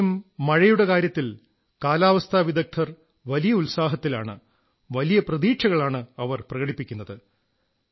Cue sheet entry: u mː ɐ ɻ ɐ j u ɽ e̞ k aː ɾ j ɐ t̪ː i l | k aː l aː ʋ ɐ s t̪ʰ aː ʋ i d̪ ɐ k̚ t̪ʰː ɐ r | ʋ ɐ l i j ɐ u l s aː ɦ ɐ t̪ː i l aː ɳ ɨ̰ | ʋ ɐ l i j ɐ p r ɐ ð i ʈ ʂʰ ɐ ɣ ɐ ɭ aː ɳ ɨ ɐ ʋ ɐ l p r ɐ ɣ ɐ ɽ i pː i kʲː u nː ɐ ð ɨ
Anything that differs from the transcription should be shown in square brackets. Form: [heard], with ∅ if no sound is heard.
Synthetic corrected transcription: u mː ɐ ɻ ɐ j u ɽ e̞ k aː ɾ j ɐ t̪ː i l | k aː l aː ʋ ɐ s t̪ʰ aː ʋ i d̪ ɐ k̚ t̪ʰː ɐ r | ʋ ɐ l i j ɐ u l s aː ɦ ɐ t̪ː i l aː ɳ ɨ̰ | ʋ ɐ l i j ɐ p r ɐ ð [iː] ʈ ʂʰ ɐ ɣ ɐ ɭ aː ɳ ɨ ɐ ʋ ɐ [r] p r ɐ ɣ ɐ ɽ i pː i kʲː u nː ɐ ð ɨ